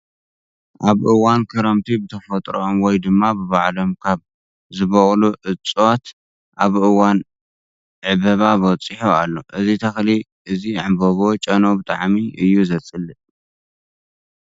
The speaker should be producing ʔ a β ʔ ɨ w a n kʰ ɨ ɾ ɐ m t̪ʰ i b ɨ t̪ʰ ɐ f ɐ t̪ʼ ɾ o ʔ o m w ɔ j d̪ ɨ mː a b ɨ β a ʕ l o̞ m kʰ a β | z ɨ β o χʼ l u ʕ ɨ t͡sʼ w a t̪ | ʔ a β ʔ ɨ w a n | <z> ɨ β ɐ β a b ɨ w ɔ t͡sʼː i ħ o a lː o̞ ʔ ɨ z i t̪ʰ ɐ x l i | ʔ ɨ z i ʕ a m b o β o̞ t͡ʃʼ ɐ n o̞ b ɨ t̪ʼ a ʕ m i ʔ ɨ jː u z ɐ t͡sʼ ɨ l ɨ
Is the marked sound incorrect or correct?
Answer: incorrect: ʕ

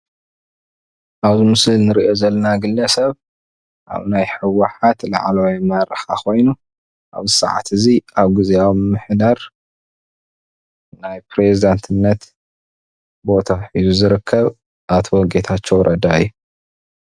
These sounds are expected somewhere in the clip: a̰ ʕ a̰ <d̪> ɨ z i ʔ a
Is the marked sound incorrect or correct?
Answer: incorrect: t̪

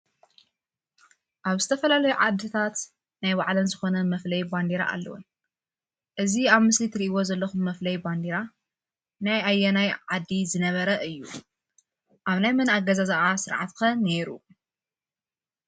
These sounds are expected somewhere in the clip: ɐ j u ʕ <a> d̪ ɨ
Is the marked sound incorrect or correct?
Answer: correct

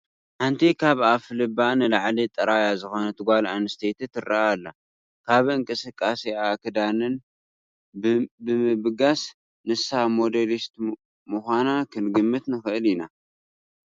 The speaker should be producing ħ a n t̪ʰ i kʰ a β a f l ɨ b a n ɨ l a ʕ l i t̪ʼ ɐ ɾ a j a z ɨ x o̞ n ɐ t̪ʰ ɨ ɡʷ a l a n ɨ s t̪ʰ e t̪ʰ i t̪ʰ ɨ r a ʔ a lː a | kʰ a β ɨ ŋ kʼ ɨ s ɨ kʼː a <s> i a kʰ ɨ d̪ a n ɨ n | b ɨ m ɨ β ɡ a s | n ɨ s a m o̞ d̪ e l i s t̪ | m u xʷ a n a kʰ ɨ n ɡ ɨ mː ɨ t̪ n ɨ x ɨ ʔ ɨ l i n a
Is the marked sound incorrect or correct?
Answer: correct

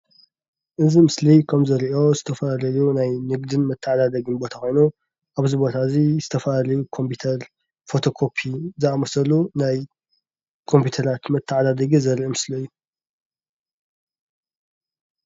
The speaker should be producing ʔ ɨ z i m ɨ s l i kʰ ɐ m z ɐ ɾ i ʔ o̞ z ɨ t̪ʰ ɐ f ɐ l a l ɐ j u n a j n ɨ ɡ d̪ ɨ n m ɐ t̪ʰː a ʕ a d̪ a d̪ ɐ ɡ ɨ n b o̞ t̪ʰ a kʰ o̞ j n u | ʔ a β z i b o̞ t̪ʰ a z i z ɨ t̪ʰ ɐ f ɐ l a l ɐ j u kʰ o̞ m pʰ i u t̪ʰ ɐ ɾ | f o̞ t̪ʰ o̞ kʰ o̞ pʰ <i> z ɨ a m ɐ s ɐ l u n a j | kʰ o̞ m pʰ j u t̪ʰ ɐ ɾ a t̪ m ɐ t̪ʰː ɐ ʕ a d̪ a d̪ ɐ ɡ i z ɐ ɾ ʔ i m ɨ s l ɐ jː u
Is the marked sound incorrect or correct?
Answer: correct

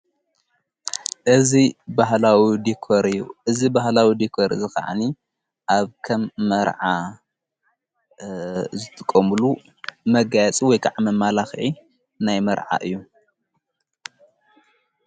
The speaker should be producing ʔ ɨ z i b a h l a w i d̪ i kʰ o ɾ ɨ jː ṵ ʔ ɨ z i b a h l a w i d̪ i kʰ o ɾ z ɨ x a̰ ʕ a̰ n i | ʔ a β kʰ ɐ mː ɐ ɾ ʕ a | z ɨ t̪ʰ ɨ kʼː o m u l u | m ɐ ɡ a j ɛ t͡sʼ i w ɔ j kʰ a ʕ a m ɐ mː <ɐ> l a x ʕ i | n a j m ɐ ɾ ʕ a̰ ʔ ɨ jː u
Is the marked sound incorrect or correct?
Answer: incorrect: a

